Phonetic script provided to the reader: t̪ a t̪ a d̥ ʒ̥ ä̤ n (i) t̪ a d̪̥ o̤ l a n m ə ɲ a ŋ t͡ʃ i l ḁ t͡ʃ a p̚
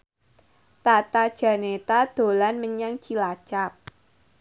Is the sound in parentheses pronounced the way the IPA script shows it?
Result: no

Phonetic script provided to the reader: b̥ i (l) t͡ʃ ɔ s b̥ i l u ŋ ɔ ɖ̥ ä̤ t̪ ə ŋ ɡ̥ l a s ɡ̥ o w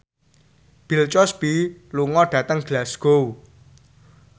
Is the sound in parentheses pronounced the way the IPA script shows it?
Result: yes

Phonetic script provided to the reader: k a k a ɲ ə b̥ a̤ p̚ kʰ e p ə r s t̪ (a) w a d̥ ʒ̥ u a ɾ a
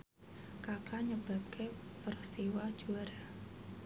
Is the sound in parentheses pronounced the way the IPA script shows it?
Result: no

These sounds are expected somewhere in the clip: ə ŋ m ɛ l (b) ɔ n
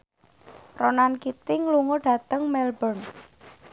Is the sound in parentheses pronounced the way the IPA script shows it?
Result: yes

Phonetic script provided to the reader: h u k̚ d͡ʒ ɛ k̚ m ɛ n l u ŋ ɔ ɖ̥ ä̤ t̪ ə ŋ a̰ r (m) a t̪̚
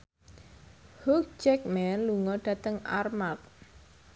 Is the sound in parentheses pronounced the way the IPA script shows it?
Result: yes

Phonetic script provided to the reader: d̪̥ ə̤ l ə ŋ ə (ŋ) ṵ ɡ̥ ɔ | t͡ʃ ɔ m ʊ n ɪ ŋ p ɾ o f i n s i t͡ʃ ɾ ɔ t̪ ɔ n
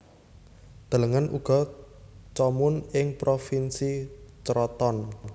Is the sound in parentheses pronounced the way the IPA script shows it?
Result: no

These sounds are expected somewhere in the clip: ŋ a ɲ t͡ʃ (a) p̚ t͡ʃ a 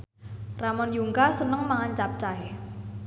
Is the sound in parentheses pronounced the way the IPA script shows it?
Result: yes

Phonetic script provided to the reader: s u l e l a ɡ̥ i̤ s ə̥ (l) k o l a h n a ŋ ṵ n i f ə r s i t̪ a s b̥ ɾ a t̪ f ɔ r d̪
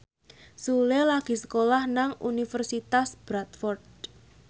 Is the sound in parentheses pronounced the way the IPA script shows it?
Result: no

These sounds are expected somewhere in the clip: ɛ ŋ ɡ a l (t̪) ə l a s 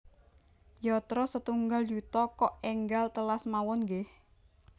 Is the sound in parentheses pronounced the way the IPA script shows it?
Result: yes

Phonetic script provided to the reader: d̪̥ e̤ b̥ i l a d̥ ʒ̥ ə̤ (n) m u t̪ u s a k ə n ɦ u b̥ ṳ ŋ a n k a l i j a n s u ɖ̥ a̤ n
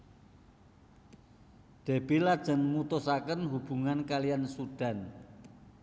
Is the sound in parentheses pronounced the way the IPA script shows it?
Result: yes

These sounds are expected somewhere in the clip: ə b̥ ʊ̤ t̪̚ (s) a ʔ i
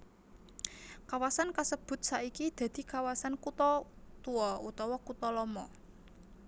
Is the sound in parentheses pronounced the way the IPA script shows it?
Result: yes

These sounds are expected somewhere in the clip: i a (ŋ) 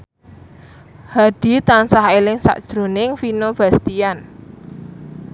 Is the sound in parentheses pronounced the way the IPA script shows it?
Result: no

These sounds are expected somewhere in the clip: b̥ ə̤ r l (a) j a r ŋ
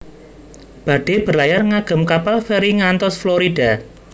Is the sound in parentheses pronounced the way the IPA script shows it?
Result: yes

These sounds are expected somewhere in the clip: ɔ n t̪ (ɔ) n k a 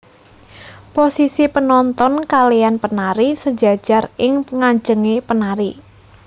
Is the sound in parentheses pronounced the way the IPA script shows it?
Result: yes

